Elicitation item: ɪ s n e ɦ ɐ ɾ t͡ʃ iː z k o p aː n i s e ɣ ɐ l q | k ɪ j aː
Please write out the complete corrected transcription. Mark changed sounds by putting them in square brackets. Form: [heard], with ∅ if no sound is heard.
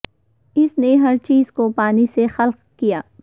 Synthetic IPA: ɪ s n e ɦ ɐ ɾ t͡ʃ iː z k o p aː n i s e [x] ɐ l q | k [i] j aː